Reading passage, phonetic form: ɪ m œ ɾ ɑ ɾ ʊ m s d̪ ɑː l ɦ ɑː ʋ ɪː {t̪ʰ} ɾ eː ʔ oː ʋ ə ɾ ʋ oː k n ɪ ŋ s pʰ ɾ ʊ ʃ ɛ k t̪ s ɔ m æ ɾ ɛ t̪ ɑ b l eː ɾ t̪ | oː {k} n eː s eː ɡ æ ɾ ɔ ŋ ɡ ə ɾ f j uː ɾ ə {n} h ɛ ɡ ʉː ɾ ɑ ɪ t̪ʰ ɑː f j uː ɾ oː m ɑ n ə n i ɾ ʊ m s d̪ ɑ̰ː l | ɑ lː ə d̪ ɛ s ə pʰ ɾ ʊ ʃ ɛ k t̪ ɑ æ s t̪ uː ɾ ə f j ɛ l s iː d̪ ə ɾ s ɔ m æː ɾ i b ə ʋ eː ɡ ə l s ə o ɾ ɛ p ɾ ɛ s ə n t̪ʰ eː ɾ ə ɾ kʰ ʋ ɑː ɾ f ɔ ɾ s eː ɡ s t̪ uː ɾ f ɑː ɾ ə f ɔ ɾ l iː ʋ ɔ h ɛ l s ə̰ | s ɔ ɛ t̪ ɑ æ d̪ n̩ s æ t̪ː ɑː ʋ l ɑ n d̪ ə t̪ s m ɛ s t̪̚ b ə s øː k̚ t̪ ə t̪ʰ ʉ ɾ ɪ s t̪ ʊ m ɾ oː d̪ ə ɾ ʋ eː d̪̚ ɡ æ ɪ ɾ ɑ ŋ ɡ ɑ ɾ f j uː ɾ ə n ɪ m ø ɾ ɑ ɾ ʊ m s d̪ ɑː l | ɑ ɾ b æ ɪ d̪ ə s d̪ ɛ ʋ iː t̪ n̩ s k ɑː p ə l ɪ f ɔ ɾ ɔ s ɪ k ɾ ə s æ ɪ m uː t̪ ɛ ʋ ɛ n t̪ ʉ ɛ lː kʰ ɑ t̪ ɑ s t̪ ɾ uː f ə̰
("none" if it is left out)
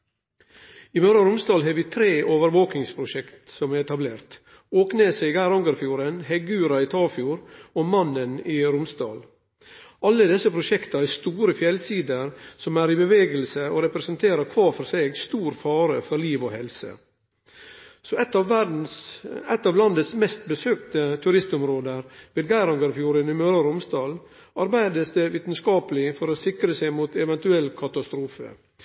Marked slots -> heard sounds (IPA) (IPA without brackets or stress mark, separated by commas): t̪ʰ, k, n